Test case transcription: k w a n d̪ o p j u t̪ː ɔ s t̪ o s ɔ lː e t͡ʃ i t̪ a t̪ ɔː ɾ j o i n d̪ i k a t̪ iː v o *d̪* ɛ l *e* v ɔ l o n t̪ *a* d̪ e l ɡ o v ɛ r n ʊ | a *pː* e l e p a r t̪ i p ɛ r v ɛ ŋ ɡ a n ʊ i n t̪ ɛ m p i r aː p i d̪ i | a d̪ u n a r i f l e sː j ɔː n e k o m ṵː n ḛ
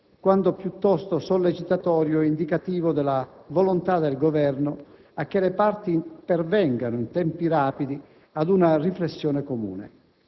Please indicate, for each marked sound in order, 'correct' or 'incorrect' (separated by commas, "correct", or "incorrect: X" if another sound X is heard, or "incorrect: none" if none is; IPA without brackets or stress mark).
correct, incorrect: a, correct, incorrect: kː